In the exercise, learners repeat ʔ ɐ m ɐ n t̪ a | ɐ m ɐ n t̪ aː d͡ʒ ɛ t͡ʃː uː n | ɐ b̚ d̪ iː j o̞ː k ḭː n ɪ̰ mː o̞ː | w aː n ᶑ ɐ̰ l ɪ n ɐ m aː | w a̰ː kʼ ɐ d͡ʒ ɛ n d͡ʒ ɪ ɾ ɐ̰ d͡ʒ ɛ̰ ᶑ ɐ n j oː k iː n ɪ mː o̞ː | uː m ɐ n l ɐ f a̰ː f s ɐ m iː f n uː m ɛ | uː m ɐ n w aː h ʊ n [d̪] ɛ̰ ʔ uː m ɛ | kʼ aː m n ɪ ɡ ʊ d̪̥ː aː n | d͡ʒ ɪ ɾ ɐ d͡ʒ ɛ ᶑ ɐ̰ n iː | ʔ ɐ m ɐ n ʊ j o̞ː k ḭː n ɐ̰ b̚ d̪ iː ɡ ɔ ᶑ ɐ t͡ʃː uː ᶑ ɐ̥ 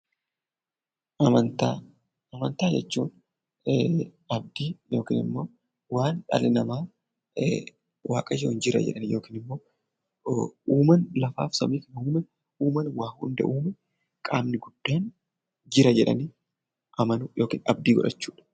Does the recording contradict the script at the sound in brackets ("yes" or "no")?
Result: no